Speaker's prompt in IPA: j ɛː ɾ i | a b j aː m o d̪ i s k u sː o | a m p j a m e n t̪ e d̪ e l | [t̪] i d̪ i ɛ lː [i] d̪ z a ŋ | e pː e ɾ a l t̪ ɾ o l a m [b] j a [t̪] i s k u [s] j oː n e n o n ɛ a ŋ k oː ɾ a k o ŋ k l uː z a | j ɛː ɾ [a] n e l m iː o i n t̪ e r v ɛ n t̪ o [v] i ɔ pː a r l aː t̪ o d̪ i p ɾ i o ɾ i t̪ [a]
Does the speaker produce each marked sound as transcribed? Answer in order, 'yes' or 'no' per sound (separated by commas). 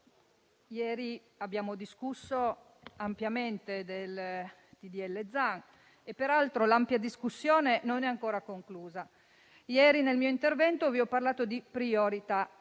yes, no, no, no, no, no, yes, yes